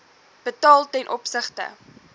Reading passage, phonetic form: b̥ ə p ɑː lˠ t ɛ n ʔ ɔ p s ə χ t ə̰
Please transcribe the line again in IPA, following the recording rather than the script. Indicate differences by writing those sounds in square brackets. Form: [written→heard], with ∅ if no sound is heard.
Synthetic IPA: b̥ ə [p→t] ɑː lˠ t ɛ n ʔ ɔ p s ə χ t ə̰